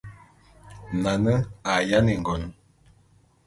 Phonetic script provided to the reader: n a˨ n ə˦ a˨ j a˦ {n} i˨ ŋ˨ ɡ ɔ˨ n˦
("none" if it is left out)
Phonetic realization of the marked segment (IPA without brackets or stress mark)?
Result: n